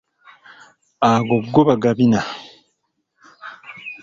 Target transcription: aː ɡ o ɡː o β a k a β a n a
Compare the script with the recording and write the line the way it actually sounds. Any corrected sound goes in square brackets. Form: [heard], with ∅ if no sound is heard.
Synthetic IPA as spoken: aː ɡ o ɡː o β a [ɡ] a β [i] n a